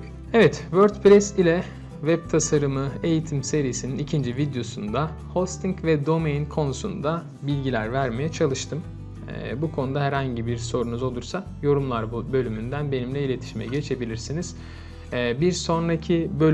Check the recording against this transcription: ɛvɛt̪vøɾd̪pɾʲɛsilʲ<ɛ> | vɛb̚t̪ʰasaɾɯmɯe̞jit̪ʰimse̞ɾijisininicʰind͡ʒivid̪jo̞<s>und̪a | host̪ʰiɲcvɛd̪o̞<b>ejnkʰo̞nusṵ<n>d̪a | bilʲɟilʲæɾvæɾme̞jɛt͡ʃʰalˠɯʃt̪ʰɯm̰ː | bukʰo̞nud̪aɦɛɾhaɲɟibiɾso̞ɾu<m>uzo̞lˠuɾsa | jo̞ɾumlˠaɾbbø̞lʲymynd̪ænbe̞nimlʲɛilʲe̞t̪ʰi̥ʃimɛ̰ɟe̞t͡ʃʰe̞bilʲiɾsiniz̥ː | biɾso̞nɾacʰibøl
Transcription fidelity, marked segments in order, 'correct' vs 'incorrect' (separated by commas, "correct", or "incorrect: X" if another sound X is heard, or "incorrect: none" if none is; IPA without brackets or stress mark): correct, correct, incorrect: m, correct, incorrect: n